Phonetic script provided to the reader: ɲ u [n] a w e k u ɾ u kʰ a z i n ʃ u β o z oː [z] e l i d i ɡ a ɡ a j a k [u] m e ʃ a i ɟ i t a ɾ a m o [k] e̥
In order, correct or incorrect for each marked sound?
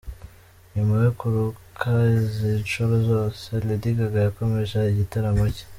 incorrect, incorrect, incorrect, incorrect

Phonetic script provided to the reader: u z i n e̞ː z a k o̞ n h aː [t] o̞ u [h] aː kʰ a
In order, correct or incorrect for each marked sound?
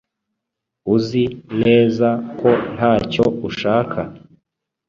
incorrect, incorrect

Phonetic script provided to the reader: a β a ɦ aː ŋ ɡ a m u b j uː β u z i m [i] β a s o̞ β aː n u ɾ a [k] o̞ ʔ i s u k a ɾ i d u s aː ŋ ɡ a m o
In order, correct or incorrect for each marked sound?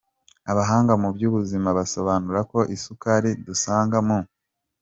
incorrect, correct

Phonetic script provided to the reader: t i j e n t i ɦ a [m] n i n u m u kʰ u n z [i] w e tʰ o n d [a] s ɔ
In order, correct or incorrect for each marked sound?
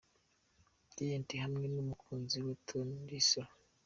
correct, correct, incorrect

